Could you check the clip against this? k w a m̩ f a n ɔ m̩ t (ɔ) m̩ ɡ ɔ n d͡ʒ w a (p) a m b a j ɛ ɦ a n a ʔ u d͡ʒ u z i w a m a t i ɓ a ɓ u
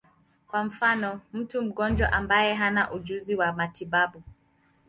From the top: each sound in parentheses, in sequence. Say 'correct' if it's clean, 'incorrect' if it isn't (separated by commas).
incorrect, incorrect